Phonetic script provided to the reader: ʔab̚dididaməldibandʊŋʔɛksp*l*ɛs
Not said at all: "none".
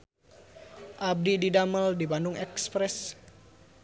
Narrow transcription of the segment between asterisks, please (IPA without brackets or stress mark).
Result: ɾ